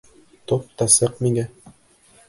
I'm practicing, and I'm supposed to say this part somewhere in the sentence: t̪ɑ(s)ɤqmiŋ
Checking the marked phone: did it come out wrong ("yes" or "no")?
no